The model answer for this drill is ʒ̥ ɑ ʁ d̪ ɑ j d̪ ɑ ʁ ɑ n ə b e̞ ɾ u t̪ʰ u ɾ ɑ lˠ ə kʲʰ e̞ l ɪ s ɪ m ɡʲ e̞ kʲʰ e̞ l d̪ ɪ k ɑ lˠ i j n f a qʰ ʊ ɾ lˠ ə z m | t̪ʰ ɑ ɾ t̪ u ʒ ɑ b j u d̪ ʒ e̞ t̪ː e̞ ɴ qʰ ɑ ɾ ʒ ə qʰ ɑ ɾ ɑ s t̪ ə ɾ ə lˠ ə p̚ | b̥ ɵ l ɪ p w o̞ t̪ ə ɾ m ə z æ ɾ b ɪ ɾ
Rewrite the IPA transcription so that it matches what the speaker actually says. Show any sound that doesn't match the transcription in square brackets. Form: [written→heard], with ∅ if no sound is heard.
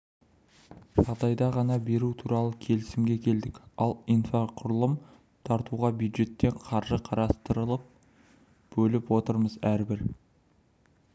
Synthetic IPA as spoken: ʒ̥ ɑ ʁ d̪ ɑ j d̪ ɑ ʁ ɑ n [ə→ɑ] b e̞ ɾ u t̪ʰ u ɾ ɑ lˠ ə kʲʰ e̞ l ɪ s ɪ m ɡʲ e̞ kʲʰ e̞ l d̪ ɪ k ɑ lˠ i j n f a qʰ ʊ ɾ lˠ ə [z→∅] m | t̪ʰ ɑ ɾ t̪ u [ʒ→ʁ] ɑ b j u d̪ ʒ e̞ t̪ː e̞ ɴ qʰ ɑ ɾ ʒ ə qʰ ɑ ɾ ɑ s t̪ ə ɾ ə lˠ ə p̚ | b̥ ɵ l ɪ p w o̞ t̪ ə ɾ m ə z æ ɾ b ɪ ɾ